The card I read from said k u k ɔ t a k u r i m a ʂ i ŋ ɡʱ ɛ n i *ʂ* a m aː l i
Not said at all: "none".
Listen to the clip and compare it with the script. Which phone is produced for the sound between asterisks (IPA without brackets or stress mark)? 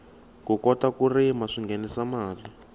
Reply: s